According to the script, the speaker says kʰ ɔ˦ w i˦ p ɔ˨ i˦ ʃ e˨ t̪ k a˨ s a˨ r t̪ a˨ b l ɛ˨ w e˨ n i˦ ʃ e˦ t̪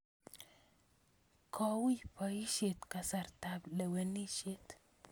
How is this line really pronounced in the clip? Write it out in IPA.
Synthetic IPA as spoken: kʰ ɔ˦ w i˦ p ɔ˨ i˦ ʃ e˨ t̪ k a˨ s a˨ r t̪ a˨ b l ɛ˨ w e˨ n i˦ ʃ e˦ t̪